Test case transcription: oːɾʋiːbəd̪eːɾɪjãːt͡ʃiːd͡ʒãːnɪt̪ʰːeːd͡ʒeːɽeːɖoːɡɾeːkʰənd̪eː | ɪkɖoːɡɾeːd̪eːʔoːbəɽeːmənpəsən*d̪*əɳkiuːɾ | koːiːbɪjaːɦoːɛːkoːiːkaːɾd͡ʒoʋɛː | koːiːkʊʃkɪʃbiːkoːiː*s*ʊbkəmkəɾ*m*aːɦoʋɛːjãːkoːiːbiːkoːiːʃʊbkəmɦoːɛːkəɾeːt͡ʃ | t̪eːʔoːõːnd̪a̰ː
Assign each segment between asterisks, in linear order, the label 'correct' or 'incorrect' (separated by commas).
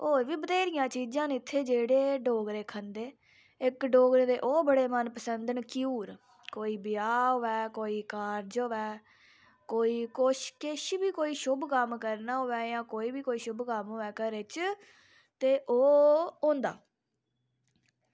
correct, incorrect, incorrect